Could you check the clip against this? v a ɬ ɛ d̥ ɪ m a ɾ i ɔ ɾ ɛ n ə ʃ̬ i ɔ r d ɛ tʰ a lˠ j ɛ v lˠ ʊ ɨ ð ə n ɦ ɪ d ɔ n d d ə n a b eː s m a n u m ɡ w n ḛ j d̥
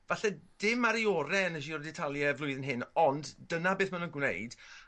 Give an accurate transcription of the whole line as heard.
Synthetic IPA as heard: v a ɬ ɛ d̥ ɪ m a ɾ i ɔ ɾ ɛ n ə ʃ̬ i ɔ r d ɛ tʰ a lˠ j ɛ v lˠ ʊ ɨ ð ə n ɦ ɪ n ɔ n d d ə n a b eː θ m a n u n ɡ w n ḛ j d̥